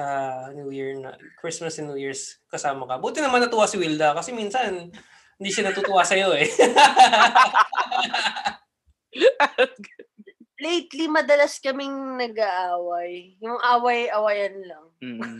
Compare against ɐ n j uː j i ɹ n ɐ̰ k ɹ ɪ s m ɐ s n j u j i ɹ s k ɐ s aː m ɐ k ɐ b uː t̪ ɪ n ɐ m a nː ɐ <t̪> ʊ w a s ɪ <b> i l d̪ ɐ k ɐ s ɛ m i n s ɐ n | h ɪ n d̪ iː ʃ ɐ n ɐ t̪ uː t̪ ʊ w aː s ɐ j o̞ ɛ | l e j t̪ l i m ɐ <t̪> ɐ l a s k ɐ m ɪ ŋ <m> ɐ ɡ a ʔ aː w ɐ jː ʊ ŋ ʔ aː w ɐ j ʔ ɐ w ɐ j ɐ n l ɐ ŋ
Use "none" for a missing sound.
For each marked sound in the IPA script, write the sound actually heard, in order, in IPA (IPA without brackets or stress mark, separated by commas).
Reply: t̪, w, d̪, n